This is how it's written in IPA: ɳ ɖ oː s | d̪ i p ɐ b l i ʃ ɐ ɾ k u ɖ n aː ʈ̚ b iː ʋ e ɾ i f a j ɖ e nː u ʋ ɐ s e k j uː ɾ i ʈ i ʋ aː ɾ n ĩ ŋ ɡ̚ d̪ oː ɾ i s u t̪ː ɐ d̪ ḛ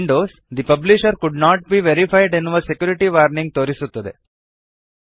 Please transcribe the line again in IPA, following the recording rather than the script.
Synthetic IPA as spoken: ɳ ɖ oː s | d̪ i p ɐ b l i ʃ ɐ ɾ k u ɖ n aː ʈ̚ b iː ʋ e ɾ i f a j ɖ e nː u ʋ ɐ s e k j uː ɾ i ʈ i ʋ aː ɾ n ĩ ŋ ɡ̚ t̪ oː ɾ i s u t̪ː ɐ d̪ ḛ